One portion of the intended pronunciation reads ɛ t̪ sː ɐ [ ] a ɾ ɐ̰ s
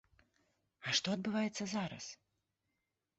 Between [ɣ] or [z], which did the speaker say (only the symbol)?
z